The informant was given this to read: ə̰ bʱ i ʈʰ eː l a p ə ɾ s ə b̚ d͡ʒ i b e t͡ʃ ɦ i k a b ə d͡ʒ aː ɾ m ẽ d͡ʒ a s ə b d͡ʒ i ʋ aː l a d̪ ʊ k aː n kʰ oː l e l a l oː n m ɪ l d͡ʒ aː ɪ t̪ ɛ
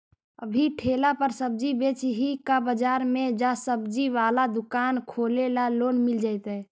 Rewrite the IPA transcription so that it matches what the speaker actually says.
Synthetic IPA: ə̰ bʱ i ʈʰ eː l a p ə ɾ s ə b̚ d͡ʒ i b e t͡ʃ ɦ i k a b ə d͡ʒ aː ɾ m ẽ d͡ʒ a s ə b d͡ʒ i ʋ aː l a d̪ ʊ k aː n kʰ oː l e l a l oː n m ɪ l d͡ʒ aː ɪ t̪ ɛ